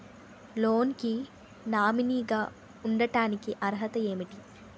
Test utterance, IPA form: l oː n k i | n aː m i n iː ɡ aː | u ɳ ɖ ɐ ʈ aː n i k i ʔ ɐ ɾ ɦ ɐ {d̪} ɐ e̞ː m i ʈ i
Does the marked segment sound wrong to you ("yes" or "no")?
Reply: yes